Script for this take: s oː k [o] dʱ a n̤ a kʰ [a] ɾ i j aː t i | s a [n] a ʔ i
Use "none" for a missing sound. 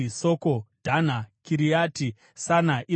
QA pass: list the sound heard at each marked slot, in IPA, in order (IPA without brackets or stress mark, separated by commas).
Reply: o, i, n